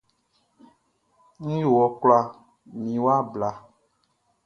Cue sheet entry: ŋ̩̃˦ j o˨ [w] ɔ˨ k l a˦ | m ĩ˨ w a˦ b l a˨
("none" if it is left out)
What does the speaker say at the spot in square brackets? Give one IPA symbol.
w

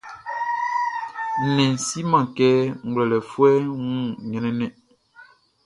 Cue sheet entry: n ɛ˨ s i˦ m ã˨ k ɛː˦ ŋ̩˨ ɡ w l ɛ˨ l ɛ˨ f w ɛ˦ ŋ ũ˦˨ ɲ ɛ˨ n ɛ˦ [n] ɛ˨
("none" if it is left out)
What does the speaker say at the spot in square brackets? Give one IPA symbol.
n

